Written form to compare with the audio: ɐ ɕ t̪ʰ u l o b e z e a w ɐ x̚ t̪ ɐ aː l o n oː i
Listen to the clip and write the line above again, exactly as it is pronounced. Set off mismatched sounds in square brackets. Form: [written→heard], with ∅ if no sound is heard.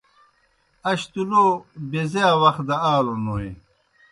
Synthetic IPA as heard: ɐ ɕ [t̪ʰ→t̪] u l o b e z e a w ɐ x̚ [t̪→d̪] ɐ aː l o n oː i